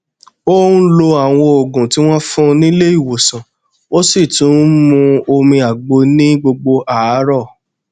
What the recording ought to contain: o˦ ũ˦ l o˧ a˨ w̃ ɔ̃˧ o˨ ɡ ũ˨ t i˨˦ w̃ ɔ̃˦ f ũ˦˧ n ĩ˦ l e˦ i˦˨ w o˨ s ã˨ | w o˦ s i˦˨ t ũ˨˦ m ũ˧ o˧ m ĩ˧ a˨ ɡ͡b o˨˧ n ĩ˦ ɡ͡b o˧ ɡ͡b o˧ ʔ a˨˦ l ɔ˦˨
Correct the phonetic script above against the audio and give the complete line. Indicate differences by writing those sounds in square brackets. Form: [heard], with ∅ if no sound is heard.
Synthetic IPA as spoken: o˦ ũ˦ l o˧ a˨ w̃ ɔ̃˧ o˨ ɡ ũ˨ t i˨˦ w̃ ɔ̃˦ f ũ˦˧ n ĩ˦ l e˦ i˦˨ w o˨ s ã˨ | w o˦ s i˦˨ t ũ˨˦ m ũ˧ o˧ m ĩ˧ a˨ ɡ͡b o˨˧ n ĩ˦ ɡ͡b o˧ ɡ͡b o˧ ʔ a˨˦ [ɾ] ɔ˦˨